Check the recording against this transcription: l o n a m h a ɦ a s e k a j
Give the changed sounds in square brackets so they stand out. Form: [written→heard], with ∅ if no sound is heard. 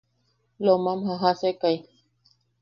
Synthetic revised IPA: l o [n→m] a m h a ɦ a s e k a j